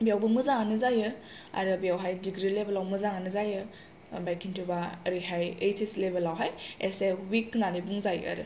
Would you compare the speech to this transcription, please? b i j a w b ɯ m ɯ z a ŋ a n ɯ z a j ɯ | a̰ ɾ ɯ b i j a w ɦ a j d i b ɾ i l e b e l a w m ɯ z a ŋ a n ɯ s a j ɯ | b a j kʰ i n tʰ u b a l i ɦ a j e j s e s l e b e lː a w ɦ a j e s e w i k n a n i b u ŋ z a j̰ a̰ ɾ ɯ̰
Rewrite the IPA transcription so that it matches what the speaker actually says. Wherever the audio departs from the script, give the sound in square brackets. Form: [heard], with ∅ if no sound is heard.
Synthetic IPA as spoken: b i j a w b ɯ m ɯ z a ŋ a n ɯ z a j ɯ | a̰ ɾ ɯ b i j a w ɦ a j d i [ɡ] ɾ i l e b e l a w m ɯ z a ŋ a n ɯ [z] a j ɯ | b a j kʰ i n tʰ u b a [ɾ] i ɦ a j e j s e s l e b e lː a w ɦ a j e s e w i k n a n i b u ŋ z a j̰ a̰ ɾ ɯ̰